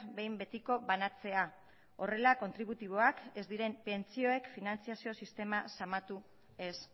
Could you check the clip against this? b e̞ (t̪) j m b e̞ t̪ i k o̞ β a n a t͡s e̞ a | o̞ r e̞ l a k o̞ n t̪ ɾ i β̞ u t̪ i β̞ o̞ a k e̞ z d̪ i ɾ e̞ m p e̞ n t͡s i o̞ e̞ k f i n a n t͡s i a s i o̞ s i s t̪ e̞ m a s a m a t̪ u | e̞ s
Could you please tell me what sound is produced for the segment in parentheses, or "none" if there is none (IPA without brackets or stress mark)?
none